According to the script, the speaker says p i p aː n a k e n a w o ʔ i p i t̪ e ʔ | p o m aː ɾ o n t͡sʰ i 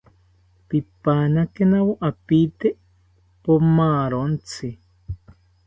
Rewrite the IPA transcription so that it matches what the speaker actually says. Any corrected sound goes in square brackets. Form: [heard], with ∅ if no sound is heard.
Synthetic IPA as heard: p i p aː n a k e n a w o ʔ [a] p i t̪ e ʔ | p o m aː ɾ o n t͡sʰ i